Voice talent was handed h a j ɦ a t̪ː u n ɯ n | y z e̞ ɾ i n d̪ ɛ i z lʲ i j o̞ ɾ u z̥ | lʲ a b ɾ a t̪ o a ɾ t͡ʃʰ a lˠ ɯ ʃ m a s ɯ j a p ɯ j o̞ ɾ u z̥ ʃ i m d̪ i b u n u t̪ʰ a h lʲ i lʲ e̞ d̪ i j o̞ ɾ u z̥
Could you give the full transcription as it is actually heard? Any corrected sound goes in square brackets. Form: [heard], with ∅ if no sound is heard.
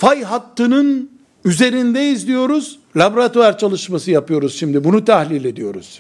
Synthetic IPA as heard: [f] a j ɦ a t̪ː [ɯ] n ɯ n | y z e̞ ɾ i n d̪ ɛ i z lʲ i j o̞ ɾ u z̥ | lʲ a b ɾ a t̪ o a ɾ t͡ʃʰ a lˠ ɯ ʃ m a s ɯ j a p ɯ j o̞ ɾ u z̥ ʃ i m d̪ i b u n u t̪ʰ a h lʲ i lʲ e̞ d̪ i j o̞ ɾ u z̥